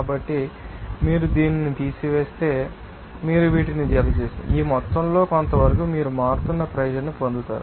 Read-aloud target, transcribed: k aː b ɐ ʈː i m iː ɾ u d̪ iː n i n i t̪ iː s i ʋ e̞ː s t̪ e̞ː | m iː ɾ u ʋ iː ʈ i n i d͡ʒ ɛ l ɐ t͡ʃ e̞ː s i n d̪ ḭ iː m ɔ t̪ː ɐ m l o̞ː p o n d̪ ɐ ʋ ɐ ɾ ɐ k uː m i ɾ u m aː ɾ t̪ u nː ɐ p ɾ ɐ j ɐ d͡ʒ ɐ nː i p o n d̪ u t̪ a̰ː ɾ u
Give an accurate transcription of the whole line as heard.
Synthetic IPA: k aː b ɐ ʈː i m iː ɾ u d̪ iː n i n i t̪ iː s i ʋ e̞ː s t̪ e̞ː | m iː ɾ u ʋ iː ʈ i n i d͡ʒ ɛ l ɐ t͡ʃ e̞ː s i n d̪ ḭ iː m ɔ t̪ː ɐ m l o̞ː k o n t̪ ɐ ʋ ɐ ɾ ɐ k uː m iː ɾ u m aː ɾ t̪ u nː ɐ p ɾ ɐ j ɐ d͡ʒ ɐ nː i p o n d̪ u t̪ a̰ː ɾ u